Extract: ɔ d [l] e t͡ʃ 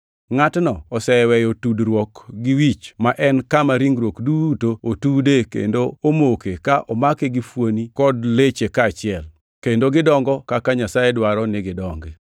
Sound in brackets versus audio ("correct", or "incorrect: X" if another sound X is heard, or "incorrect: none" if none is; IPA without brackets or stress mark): correct